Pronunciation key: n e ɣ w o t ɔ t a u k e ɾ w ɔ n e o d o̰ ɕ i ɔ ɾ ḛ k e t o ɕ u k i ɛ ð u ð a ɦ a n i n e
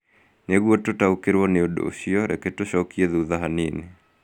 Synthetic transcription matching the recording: n e ɣ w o t o t a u k e ɾ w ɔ n e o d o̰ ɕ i ɔ ɾ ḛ k e t o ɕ ɔ k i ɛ ð u ð a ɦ a n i n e